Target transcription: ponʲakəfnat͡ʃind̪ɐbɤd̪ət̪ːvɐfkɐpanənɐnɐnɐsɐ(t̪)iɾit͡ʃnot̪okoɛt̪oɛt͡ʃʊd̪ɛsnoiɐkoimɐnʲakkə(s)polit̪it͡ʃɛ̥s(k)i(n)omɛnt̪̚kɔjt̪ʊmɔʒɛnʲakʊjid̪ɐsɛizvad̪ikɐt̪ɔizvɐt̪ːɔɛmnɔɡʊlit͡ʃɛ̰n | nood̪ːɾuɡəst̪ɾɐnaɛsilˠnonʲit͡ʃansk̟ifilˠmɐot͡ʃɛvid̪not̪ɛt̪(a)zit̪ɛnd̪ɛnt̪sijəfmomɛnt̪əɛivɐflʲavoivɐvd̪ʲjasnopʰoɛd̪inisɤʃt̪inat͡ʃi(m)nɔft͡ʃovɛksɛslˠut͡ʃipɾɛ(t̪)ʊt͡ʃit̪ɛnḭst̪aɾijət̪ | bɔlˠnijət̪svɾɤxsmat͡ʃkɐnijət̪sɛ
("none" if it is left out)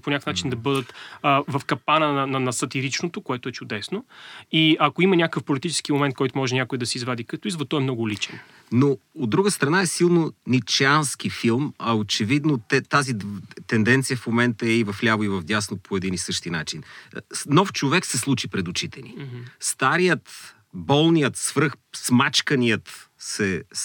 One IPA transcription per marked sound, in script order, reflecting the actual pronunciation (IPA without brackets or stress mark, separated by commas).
t̪, f, k, m, a, n, d̪